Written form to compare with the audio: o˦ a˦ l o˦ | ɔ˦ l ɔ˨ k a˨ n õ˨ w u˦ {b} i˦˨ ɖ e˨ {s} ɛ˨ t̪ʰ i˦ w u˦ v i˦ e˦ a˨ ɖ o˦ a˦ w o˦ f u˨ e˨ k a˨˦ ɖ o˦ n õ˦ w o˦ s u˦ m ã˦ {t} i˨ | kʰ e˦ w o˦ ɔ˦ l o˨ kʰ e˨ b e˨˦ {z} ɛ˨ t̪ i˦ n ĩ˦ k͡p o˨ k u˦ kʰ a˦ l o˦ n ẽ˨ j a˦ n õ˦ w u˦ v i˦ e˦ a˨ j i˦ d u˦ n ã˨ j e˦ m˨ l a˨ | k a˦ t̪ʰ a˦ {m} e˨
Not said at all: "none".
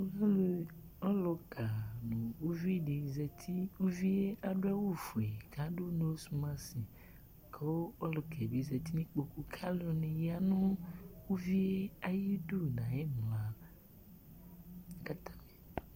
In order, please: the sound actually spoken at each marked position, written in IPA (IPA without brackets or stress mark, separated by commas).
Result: v, z, s, z, m